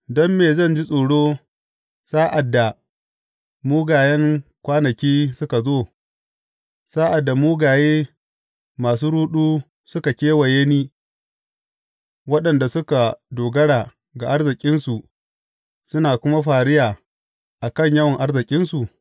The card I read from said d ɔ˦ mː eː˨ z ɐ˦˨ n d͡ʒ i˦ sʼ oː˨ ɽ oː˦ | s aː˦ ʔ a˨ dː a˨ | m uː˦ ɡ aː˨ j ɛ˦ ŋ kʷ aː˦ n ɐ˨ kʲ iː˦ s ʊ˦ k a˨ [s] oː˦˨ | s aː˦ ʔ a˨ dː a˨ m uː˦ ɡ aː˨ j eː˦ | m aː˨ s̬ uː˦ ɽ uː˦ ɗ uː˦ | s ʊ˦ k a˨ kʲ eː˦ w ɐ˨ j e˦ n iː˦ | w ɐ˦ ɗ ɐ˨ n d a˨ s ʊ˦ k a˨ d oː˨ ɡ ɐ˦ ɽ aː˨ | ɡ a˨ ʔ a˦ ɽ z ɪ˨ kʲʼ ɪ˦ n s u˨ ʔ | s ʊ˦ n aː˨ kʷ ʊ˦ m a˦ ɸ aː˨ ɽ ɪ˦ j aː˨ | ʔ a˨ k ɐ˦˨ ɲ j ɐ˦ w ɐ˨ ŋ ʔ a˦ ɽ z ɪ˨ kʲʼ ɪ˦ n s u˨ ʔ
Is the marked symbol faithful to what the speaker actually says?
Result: no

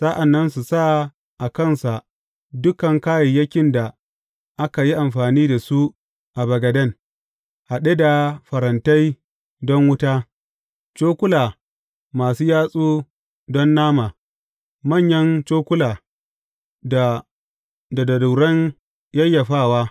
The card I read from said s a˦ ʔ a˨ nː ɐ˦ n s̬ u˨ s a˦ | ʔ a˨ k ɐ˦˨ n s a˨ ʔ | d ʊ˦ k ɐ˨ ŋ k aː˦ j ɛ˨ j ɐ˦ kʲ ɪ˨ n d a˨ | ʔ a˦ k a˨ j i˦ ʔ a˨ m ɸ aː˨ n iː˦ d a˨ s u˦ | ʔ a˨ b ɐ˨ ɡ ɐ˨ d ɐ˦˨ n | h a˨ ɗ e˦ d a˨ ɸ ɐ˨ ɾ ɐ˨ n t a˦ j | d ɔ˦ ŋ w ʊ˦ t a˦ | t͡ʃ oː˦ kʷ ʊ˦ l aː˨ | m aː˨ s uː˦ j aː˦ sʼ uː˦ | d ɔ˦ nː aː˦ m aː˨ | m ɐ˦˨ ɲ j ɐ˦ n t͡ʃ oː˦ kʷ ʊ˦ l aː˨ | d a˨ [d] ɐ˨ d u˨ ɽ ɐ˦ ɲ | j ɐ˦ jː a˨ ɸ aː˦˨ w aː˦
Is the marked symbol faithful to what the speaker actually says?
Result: yes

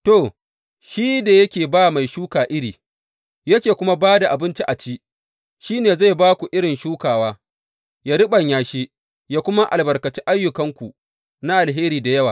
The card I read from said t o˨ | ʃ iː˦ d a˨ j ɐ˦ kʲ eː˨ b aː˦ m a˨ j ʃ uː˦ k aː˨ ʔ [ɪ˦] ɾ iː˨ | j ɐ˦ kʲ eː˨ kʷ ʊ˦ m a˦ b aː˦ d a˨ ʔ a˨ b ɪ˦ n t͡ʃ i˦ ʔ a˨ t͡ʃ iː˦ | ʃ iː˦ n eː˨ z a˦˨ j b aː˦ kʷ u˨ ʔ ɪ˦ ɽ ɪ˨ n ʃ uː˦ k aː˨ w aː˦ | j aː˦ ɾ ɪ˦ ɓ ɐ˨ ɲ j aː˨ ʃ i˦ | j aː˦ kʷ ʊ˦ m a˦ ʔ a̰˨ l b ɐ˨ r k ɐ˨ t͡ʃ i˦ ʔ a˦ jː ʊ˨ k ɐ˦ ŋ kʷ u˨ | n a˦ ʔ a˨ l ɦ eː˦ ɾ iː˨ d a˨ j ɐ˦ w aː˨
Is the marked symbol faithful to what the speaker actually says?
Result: yes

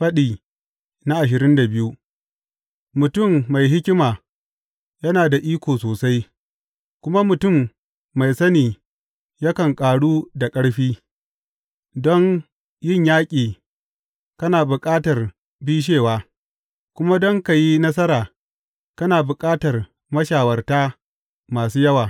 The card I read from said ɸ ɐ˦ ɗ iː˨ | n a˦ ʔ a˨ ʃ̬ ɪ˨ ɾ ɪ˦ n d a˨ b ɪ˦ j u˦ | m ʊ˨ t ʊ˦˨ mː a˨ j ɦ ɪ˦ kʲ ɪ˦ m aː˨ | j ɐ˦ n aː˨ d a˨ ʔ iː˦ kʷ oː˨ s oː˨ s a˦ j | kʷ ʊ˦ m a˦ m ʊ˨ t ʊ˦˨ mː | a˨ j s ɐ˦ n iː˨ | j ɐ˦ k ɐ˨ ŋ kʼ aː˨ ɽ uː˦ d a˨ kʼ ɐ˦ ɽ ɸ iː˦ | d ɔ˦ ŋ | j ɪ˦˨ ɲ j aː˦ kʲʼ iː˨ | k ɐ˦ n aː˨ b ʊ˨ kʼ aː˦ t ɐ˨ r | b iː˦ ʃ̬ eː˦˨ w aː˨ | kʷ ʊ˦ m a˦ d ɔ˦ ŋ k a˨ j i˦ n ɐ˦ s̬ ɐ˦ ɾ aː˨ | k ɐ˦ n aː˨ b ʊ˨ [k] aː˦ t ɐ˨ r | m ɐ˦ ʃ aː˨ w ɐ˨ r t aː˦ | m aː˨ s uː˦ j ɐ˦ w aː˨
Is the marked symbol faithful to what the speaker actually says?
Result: no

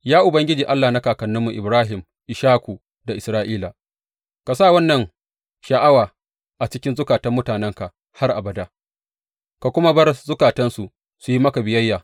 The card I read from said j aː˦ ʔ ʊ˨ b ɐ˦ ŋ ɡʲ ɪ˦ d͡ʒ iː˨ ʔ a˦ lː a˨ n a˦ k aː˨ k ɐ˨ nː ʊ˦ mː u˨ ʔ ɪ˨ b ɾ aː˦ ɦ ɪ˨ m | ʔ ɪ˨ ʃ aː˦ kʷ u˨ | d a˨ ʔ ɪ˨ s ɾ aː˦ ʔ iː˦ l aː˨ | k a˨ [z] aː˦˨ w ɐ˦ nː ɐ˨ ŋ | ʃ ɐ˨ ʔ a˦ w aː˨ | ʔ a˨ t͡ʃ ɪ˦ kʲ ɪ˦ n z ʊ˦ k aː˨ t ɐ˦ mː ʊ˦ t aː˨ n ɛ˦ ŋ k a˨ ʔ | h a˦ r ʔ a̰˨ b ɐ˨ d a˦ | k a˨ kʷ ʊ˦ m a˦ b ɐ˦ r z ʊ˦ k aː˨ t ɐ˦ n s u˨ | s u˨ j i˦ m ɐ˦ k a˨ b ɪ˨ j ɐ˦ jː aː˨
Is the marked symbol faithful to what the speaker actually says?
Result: no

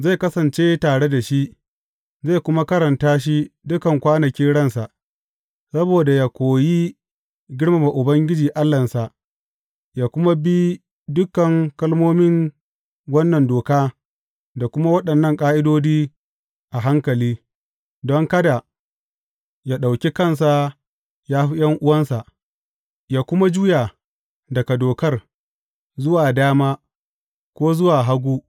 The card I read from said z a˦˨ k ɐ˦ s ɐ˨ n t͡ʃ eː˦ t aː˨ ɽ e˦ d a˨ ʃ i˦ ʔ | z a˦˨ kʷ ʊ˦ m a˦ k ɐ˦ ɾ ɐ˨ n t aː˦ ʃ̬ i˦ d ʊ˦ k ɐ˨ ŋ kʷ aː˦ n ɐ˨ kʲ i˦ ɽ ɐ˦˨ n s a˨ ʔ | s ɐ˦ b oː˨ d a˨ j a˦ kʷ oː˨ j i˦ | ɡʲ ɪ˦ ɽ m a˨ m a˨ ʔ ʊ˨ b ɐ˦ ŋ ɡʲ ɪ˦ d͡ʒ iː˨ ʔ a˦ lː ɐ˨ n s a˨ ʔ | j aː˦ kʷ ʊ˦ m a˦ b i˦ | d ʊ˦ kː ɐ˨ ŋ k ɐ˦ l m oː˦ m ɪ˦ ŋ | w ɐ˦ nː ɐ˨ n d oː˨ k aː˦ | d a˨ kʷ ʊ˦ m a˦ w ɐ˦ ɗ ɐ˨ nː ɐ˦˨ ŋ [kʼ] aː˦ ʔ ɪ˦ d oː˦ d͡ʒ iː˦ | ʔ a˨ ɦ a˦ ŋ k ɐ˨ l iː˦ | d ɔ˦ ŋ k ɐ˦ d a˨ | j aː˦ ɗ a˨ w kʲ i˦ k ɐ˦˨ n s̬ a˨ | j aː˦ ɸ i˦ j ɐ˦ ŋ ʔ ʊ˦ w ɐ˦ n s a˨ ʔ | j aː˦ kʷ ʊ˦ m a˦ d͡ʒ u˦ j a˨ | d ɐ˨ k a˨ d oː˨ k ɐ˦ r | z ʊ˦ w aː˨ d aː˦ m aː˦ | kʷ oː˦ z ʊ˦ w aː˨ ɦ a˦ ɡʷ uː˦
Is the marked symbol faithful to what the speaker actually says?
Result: yes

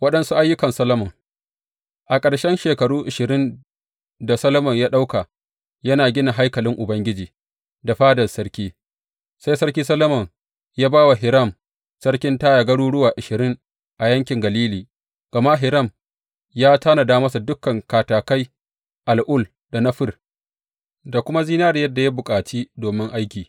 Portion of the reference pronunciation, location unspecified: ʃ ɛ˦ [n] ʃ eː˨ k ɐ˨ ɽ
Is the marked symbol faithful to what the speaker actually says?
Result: yes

